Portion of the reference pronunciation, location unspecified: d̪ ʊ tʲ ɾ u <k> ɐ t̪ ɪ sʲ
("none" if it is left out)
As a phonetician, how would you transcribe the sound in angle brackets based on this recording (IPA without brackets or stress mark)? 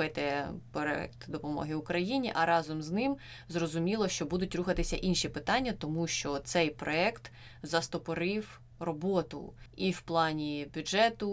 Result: x